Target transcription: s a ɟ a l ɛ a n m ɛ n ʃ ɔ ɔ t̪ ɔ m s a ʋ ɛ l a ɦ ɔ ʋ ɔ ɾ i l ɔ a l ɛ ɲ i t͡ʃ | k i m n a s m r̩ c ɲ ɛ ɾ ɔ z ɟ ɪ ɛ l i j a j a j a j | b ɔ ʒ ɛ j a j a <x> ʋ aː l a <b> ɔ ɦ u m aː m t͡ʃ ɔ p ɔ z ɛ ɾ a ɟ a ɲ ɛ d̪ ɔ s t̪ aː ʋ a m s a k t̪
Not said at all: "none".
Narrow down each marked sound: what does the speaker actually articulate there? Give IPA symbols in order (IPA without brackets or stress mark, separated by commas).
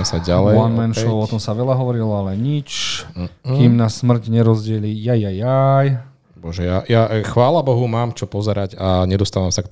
x, b